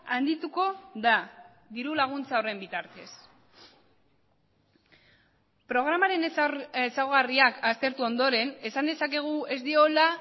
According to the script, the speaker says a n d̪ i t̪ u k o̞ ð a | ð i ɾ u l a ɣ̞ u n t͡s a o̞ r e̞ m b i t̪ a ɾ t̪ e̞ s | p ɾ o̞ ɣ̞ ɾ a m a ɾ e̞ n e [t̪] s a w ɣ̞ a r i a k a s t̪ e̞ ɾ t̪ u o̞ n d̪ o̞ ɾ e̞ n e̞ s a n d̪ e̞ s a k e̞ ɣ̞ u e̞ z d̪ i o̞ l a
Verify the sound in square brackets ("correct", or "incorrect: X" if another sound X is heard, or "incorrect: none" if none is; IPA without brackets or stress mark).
incorrect: none